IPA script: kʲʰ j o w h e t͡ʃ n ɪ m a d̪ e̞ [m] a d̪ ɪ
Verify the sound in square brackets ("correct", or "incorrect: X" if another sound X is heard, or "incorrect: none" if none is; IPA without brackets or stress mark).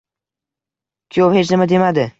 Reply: correct